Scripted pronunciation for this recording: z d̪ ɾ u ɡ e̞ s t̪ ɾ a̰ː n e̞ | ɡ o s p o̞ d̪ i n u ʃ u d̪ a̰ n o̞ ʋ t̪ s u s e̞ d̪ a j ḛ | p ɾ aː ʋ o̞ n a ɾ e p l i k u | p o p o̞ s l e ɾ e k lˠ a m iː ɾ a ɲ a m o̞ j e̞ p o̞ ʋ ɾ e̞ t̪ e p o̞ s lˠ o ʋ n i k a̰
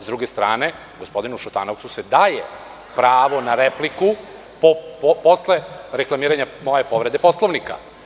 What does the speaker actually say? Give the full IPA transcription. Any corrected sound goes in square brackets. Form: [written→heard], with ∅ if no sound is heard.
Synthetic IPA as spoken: z d̪ ɾ u ɡ e̞ s t̪ ɾ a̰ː n e̞ | ɡ o s p o̞ d̪ i n u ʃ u [d̪→t̪] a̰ n o̞ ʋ t̪ s u s e̞ d̪ a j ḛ | p ɾ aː ʋ o̞ n a ɾ e p l i k u | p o p o̞ s l e ɾ e k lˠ a m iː ɾ a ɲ a m o̞ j e̞ p o̞ ʋ ɾ e̞ [t̪→d̪] e p o̞ s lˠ o ʋ n i k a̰